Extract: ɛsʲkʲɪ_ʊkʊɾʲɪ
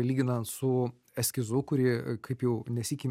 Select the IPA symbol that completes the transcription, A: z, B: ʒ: A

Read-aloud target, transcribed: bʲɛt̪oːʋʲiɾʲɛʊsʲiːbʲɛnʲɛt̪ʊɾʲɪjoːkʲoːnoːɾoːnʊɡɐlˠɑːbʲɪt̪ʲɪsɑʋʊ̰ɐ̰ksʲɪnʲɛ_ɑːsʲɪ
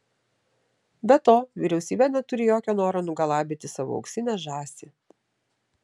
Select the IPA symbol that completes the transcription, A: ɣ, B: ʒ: B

